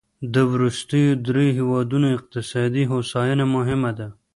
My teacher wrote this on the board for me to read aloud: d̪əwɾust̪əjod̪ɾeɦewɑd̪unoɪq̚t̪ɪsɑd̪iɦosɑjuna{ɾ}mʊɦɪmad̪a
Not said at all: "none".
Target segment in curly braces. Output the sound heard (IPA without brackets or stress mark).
none